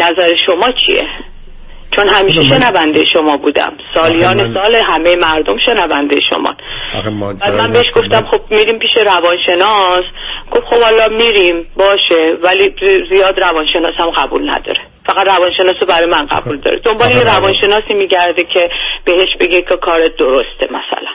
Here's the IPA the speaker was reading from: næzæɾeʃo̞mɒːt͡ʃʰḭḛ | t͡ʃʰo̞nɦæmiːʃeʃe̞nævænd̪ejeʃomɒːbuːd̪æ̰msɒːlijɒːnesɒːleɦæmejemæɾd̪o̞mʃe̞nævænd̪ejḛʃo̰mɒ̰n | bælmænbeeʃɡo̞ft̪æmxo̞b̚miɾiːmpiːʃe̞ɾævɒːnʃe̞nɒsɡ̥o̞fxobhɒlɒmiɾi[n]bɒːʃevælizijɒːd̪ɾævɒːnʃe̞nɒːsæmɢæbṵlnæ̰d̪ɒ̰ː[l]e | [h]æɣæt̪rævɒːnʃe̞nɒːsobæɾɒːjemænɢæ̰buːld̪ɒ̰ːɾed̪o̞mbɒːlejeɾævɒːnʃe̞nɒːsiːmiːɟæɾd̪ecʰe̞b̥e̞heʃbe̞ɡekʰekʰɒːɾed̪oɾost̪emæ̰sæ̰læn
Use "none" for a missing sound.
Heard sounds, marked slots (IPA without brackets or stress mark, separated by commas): m, ɾ, f